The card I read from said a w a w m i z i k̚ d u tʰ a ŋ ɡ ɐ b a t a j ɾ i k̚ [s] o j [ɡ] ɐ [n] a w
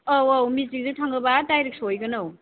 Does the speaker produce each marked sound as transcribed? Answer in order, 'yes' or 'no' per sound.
yes, yes, yes

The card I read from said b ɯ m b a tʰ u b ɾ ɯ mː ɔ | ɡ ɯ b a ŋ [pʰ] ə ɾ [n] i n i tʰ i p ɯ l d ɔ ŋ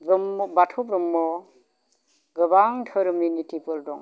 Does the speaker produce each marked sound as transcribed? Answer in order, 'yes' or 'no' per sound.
no, no

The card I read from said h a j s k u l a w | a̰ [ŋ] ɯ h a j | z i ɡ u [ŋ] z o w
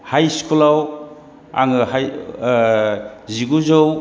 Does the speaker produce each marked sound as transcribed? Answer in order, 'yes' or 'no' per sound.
yes, no

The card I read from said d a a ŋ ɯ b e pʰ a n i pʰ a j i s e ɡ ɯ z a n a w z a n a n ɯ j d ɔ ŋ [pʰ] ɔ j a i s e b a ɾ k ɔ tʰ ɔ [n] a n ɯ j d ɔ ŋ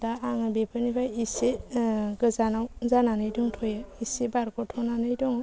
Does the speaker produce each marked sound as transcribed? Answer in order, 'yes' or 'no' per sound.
no, yes

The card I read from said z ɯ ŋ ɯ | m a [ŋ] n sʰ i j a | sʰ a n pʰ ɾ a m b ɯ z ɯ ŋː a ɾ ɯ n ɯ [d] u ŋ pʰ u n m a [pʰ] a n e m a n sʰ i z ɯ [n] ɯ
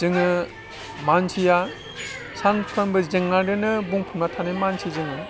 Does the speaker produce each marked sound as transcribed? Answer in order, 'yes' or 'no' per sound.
no, no, no, no

